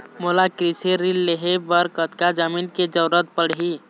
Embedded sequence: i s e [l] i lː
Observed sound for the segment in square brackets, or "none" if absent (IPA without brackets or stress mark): ɾ